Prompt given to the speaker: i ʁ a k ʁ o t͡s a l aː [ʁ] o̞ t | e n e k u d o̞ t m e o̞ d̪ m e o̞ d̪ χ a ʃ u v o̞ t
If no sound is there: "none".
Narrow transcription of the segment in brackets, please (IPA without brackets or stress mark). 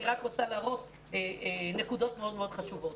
ʁ